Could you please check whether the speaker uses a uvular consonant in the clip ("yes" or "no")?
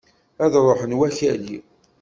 no